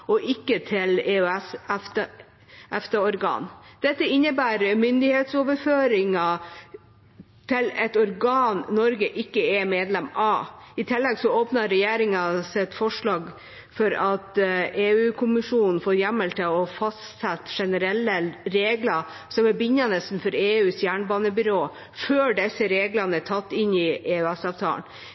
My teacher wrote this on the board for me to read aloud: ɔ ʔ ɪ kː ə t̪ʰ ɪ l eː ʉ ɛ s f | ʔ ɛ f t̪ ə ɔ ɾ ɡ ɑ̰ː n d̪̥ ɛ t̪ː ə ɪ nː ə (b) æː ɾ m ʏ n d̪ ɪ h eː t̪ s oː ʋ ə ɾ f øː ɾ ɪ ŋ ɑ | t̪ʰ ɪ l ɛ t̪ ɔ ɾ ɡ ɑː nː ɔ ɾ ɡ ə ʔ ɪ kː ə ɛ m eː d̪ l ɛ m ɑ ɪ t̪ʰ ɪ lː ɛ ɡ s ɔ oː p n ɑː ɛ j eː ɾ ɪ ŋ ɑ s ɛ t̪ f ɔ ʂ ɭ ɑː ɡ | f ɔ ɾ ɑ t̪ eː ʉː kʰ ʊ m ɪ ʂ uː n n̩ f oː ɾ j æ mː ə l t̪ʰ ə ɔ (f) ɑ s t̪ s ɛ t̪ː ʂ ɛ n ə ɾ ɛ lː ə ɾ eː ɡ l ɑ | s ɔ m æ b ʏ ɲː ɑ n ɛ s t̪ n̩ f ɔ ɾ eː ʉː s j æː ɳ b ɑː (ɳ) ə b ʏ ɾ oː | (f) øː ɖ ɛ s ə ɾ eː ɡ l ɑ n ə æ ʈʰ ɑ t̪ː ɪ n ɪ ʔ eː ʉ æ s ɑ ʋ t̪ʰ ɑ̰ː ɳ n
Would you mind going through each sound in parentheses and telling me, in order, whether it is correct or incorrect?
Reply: correct, correct, incorrect: n, correct

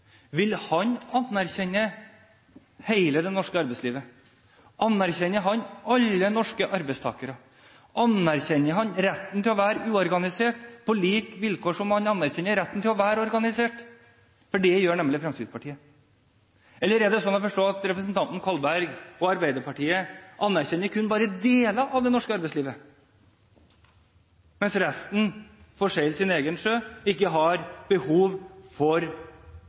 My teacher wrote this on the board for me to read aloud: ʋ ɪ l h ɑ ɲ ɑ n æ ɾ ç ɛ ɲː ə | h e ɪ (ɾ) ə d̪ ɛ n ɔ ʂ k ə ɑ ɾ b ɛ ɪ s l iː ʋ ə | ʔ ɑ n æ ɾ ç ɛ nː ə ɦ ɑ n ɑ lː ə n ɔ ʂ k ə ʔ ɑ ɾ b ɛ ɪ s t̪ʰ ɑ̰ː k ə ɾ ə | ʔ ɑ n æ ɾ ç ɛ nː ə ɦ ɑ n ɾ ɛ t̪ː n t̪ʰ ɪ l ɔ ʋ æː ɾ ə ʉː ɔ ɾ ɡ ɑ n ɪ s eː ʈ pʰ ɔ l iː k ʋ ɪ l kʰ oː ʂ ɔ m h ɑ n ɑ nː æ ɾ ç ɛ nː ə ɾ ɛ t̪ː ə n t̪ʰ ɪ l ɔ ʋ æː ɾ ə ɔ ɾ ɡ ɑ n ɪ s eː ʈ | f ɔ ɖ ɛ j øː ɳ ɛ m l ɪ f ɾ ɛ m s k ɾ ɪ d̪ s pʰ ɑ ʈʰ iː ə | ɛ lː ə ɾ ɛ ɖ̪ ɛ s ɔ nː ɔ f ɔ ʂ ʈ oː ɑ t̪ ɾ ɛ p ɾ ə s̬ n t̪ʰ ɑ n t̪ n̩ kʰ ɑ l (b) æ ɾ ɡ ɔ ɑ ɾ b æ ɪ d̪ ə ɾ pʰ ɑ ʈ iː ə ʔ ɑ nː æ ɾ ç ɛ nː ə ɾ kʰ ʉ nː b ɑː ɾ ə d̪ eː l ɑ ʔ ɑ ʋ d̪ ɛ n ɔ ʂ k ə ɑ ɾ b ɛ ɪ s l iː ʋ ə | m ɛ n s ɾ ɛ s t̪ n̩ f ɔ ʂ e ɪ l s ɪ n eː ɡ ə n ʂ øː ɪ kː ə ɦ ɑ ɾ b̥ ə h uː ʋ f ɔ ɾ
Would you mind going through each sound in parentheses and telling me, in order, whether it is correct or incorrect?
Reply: incorrect: l, correct

